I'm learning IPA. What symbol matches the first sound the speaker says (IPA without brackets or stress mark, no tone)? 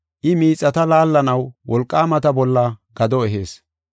ʔ